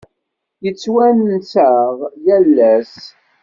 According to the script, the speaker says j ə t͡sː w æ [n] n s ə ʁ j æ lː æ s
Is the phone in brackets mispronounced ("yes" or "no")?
no